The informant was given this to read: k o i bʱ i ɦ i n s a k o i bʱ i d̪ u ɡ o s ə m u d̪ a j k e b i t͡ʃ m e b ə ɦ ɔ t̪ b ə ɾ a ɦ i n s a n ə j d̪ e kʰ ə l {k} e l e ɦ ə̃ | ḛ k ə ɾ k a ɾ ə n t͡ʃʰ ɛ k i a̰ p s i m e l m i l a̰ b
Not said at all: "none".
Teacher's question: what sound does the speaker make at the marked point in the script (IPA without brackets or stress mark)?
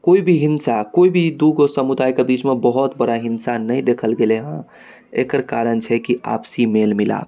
ɡ